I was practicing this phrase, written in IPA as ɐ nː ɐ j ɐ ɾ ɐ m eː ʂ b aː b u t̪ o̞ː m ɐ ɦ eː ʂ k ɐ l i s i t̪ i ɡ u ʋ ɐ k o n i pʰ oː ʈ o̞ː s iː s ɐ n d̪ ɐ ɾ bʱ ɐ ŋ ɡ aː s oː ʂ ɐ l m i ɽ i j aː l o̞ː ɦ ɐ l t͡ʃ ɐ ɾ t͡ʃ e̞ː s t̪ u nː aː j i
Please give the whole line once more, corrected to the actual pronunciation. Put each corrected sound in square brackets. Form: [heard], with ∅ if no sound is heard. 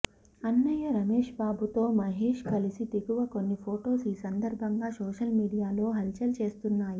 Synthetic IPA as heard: ɐ nː ɐ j ɐ ɾ ɐ m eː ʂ b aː b u t̪ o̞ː m ɐ ɦ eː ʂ k ɐ l i s i t̪ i ɡ u ʋ ɐ k o [nː] i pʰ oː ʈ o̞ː s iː s ɐ n d̪ ɐ ɾ bʱ ɐ ŋ ɡ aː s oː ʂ ɐ l m [iː] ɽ i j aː l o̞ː ɦ ɐ l t͡ʃ ɐ [l] t͡ʃ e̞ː s t̪ u nː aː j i

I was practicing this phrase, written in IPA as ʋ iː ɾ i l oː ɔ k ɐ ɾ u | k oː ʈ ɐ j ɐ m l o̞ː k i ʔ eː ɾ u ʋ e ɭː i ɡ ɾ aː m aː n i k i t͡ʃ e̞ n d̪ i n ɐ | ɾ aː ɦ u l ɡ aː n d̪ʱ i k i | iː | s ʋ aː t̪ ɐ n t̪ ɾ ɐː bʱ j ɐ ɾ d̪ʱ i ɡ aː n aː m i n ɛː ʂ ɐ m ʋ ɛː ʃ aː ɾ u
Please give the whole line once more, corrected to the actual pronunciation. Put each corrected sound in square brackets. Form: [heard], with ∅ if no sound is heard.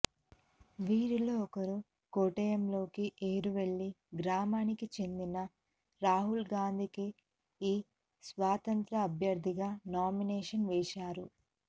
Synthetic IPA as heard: ʋ iː ɾ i l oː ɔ k ɐ ɾ u | k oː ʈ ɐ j ɐ m l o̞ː k i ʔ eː ɾ u ʋ e ɭː i ɡ ɾ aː m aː n i k i t͡ʃ e̞ n d̪ i n ɐ | ɾ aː ɦ u l ɡ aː n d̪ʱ i k i | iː | s ʋ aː t̪ ɐ n t̪ ɾ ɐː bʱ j ɐ ɾ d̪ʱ i ɡ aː n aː m i n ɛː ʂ ɐ [n] ʋ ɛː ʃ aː ɾ u

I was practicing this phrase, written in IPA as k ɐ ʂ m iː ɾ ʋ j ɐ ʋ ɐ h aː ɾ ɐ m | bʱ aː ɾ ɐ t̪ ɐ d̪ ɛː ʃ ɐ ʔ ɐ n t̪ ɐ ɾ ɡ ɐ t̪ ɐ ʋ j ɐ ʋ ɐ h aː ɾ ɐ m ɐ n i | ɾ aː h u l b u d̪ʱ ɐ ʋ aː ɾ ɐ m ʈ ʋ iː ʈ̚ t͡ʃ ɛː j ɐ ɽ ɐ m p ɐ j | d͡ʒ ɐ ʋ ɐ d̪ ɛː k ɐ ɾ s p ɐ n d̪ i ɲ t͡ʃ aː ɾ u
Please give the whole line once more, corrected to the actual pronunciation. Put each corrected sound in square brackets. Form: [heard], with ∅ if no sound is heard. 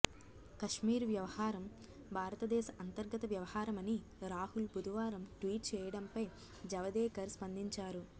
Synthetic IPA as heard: k ɐ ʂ m iː ɾ ʋ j ɐ ʋ ɐ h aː ɾ ɐ m | bʱ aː ɾ ɐ t̪ ɐ d̪ ɛː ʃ ɐ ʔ ɐ n t̪ ɐ ɾ ɡ ɐ t̪ ɐ ʋ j ɐ ʋ ɐ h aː ɾ ɐ m ɐ n i | ɾ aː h u l b u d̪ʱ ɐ ʋ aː ɾ ɐ m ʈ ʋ iː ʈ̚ t͡ʃ ɛː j ɐ ɽ ɐ m p ɐ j | d͡ʒ ɐ ʋ ɐ d̪ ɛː k ɐ ɾ s p ɐ n d̪ i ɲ t͡ʃ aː ɾ u

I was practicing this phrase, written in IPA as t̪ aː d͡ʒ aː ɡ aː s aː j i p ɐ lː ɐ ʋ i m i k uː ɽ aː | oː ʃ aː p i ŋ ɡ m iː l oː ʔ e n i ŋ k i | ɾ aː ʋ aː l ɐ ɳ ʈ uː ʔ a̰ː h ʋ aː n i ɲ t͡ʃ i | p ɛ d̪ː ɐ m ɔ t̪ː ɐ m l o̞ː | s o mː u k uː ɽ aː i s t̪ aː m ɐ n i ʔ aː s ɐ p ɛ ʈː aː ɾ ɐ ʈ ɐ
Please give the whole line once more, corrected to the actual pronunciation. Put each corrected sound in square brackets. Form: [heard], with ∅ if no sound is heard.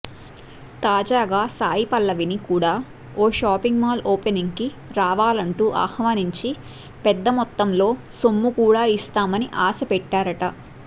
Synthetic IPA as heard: t̪ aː d͡ʒ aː ɡ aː s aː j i p ɐ lː ɐ ʋ i [n] i k uː ɽ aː | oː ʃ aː p i ŋ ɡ m [aː] l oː [p] e n i ŋ k i | ɾ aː ʋ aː l ɐ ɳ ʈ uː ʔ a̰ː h ʋ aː n i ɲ t͡ʃ i | p ɛ d̪ː ɐ m ɔ t̪ː ɐ m l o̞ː | s o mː u k uː ɽ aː i s t̪ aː m ɐ n i ʔ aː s ɐ p ɛ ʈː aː ɾ ɐ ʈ ɐ

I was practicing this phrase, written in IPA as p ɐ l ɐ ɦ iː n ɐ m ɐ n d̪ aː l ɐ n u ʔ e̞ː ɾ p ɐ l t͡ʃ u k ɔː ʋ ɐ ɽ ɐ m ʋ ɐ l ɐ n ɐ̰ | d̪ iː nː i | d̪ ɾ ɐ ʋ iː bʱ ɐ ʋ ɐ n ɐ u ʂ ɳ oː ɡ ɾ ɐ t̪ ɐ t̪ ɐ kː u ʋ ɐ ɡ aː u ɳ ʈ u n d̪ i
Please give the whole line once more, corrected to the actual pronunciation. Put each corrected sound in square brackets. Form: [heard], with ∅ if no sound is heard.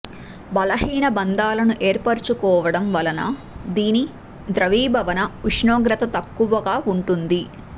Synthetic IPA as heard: [b] ɐ l ɐ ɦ iː n ɐ [b] ɐ n d̪ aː l ɐ n u ʔ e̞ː ɾ p ɐ [ɾ] t͡ʃ u k ɔː ʋ ɐ ɽ ɐ m ʋ ɐ l ɐ n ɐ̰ | d̪ iː [n] i | d̪ ɾ ɐ ʋ iː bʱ ɐ ʋ ɐ n ɐ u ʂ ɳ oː ɡ ɾ ɐ t̪ ɐ t̪ ɐ kː u ʋ ɐ ɡ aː u ɳ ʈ u n d̪ i

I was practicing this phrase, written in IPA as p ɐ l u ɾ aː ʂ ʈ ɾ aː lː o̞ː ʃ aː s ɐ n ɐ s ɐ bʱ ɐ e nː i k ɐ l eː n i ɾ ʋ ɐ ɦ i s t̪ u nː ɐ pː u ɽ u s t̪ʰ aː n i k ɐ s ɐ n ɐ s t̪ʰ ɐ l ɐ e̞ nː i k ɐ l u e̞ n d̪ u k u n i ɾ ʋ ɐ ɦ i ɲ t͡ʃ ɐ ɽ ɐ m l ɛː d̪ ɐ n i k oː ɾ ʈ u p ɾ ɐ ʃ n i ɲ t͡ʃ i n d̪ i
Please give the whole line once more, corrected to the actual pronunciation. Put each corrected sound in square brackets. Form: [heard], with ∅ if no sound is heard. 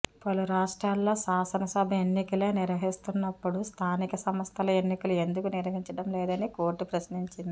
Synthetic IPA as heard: p ɐ l u ɾ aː ʂ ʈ ɾ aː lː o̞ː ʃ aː s ɐ n ɐ s ɐ bʱ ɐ e nː i k ɐ l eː n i ɾ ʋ ɐ ɦ i s t̪ u nː ɐ pː u ɽ u s t̪ʰ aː n i k ɐ s ɐ [m] ɐ s t̪ʰ ɐ l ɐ e̞ nː i k ɐ l u e̞ n d̪ u k u n i ɾ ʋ ɐ ɦ i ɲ t͡ʃ ɐ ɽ ɐ m l ɛː d̪ ɐ n i k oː ɾ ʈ u p ɾ ɐ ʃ n i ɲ t͡ʃ i n d̪ i

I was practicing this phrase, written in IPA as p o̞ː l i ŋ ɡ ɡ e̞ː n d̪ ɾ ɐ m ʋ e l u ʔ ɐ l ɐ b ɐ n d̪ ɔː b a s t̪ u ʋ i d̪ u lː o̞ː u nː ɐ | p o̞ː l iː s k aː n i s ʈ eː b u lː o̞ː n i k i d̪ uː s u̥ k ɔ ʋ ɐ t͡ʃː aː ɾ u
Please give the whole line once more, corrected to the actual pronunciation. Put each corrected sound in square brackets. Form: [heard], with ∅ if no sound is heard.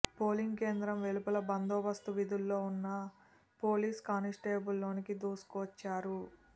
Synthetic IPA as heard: p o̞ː l i ŋ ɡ [k] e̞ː n d̪ ɾ ɐ m ʋ e l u [p] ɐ l ɐ b ɐ n d̪ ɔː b [ɐ] s t̪ u ʋ i d̪ u lː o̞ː u nː ɐ | p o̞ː l iː s k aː n i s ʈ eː b u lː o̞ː n i k i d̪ uː s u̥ k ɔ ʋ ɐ t͡ʃː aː ɾ u

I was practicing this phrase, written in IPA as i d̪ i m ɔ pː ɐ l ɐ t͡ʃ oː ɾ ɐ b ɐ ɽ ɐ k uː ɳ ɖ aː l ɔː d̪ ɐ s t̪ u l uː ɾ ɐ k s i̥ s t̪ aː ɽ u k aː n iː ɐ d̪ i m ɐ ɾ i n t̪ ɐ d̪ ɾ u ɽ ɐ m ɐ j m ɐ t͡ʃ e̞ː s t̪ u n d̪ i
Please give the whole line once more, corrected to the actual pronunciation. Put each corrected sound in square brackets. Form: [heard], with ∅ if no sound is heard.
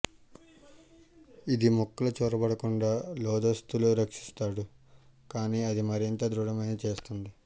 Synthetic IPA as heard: i d̪ i m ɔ [kː] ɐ l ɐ t͡ʃ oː ɾ ɐ b ɐ ɽ ɐ k [u] ɳ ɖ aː l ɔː d̪ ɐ s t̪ u l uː ɾ ɐ k [ʂ] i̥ s t̪ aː ɽ u k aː n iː ɐ d̪ i m ɐ ɾ i n t̪ ɐ d̪ ɾ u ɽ ɐ m ɐ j [n] ɐ t͡ʃ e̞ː s t̪ u n d̪ i

